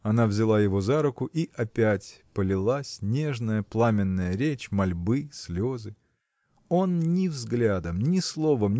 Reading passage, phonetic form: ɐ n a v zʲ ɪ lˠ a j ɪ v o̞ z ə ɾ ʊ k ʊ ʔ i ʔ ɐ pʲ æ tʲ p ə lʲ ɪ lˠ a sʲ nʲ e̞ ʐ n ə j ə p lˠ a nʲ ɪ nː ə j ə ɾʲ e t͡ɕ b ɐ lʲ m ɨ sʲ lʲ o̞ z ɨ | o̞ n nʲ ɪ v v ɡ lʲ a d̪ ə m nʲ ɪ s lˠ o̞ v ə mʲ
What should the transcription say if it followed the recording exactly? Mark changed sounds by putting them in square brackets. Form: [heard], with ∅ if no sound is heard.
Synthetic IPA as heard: ɐ n a v zʲ ɪ lˠ a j ɪ v o̞ z [a] ɾ ʊ k ʊ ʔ i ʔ ɐ pʲ æ tʲ p ə lʲ ɪ lˠ a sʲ nʲ e̞ ʐ n ə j ə p lˠ a [mʲ] ɪ nː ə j ə ɾʲ e t͡ɕ [m] ɐ lʲ [b] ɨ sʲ lʲ o̞ z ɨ | o̞ n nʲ ɪ v [z] ɡ lʲ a d̪ ə m nʲ ɪ s lˠ o̞ v ə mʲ